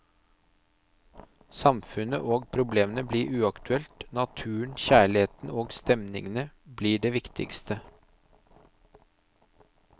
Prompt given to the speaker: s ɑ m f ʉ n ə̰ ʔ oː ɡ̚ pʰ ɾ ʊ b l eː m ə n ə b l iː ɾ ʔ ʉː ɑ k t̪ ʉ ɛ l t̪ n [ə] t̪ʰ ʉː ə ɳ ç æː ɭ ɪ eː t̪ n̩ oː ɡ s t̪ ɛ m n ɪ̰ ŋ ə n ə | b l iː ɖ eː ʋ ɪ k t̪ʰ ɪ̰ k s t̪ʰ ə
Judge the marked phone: incorrect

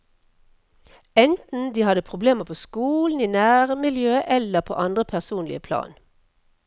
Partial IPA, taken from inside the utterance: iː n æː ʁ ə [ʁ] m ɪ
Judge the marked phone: incorrect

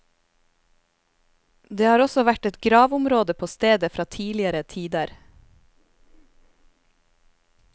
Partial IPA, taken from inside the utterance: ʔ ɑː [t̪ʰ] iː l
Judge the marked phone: correct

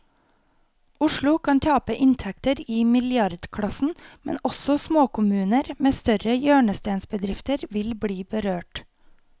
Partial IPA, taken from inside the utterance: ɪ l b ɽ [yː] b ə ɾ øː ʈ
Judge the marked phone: incorrect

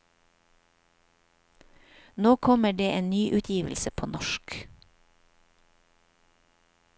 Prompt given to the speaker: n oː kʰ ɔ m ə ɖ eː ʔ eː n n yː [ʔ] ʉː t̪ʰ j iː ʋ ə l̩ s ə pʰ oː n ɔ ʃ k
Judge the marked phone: correct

